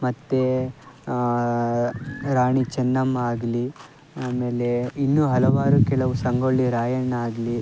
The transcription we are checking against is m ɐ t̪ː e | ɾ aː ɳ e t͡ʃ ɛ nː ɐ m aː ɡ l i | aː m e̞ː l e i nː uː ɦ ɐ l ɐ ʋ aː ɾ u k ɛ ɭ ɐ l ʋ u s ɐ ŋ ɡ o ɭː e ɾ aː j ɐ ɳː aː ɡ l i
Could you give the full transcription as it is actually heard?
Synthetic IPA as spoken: m ɐ t̪ː e | ɾ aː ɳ i t͡ʃ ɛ nː ɐ m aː ɡ l i | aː m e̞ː l e i nː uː ɦ ɐ l ɐ ʋ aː ɾ u k ɛ ɭ ɐ ʋ u s ɐ ŋ ɡ o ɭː i ɾ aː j ɐ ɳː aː ɡ l i